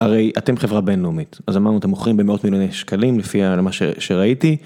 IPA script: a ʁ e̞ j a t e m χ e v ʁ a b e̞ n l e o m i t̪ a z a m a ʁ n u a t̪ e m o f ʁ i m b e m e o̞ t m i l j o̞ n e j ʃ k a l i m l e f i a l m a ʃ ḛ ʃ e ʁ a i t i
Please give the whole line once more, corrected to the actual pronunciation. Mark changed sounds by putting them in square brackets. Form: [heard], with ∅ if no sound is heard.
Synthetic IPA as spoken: a ʁ e̞ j a t e m χ e v ʁ a b e̞ n l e [u] m i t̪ a z a m a ʁ n u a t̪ e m o [χ] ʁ i m b e m e o̞ t m i l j o̞ n e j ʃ k a l i m l e f i a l m a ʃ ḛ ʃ e ʁ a i t i

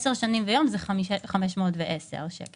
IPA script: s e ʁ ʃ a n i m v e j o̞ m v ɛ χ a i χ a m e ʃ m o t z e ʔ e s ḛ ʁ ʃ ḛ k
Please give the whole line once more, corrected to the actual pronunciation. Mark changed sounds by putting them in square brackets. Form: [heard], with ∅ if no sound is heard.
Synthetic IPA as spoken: s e ʁ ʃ a n i m v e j o̞ m [z] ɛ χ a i χ a m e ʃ m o t [v] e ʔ e s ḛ ʁ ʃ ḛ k

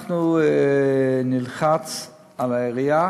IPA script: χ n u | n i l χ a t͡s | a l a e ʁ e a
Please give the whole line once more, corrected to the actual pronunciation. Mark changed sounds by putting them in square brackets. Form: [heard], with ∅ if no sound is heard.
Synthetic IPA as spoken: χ n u | n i l χ a t͡s | a l a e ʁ [i] a

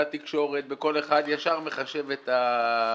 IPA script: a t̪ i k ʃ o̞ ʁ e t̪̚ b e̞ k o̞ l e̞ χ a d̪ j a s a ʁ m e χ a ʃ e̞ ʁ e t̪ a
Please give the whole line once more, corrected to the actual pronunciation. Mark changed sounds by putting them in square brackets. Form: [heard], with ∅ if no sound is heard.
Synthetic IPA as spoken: a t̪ i k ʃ o̞ ʁ e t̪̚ b e̞ k o̞ l e̞ χ a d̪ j a [ʃ] a ʁ m e χ a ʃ e̞ [v] e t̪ a

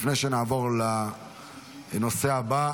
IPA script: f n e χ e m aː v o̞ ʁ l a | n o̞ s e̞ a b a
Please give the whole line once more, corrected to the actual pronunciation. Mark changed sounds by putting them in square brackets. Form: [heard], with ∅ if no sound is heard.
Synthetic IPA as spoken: f n e [ʃ] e [n] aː v o̞ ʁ l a | n o̞ s e̞ a b a

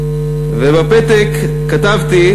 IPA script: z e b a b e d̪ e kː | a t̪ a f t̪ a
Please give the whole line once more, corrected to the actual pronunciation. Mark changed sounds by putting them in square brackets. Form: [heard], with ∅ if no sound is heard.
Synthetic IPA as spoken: [v] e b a [p] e [t̪] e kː | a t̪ a [v] t̪ [i]

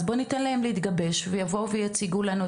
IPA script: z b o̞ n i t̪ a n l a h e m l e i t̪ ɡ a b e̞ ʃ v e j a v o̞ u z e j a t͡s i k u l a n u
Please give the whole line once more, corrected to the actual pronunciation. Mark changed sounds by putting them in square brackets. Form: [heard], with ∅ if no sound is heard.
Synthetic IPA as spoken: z b o̞ n i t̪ a n l a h e m l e i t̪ ɡ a b e̞ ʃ v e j a v o̞ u [v] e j a t͡s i [ɡ] u l a n u

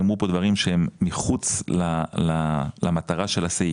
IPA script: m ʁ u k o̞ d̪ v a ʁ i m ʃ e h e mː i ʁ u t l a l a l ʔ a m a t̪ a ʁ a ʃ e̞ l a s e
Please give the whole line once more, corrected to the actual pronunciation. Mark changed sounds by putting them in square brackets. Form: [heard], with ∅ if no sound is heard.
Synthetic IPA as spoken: m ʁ u [p] o̞ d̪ v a ʁ i m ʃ e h e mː i [χ] u [t͡s] l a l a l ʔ a m a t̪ a ʁ a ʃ e̞ l a s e

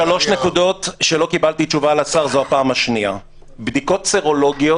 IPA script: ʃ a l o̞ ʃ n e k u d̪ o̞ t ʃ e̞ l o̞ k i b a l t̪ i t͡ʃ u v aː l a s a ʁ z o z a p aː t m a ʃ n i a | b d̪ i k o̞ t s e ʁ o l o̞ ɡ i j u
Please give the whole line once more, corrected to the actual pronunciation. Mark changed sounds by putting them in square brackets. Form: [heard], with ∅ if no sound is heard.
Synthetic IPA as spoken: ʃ a l o̞ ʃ n e k u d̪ o̞ t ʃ e̞ l o̞ k i b a l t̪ i t͡ʃ u v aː l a s a ʁ z o [∅] a p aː [∅] m a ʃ n i a | b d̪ i k o̞ t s e ʁ o l o̞ ɡ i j [o]

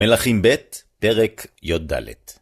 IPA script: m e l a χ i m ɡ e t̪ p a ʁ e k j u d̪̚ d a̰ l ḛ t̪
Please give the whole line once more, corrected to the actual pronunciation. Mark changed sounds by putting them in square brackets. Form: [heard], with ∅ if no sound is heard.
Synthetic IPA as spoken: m e l a χ i m [b] e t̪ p [e] ʁ e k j [o] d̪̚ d a̰ l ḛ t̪

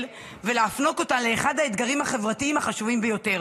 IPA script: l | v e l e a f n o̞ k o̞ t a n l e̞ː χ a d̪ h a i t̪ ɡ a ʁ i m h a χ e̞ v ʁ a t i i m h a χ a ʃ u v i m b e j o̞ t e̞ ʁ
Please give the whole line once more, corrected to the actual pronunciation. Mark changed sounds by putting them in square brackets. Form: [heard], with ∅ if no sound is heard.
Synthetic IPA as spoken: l | v e l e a f n o̞ k o̞ t a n l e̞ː χ a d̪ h a [e] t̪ ɡ a ʁ i m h a χ e̞ v ʁ a t i i m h a χ a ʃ u v i m b e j o̞ t e̞ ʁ

